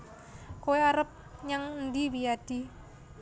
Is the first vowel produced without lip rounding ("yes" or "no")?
no